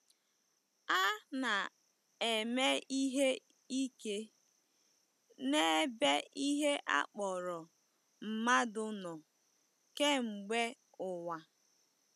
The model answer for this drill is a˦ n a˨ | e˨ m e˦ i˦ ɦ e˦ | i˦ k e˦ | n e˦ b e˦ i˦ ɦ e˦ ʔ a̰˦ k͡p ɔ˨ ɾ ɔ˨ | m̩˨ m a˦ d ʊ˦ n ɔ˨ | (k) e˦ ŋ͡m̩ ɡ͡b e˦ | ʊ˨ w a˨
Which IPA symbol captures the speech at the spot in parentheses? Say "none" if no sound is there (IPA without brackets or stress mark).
k